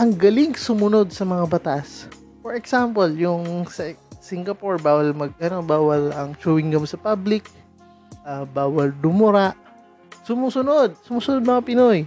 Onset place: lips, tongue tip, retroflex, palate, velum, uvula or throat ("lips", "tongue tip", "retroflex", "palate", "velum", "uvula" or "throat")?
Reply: throat